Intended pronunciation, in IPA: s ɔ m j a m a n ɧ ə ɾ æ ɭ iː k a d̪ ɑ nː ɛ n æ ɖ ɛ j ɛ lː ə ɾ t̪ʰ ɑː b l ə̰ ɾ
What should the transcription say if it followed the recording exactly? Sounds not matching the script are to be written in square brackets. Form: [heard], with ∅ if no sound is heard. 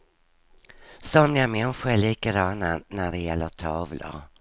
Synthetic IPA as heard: s ɔ m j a m [ɛ] n ɧ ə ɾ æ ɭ iː k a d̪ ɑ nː [a] n æ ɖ ɛ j ɛ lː ə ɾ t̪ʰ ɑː [v] l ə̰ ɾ